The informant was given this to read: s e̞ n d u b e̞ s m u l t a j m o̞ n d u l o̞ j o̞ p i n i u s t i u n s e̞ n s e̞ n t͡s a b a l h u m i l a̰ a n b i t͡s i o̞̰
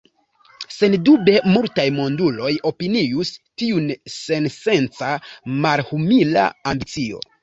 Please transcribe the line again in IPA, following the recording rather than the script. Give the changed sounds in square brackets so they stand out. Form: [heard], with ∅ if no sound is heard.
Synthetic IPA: s e̞ n d u b e̞ [∅] m u l t a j m o̞ n d u l o̞ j o̞ p i n i u s t i u n s e̞ n s e̞ n t͡s a [m] a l h u m i l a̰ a [m] b i t͡s i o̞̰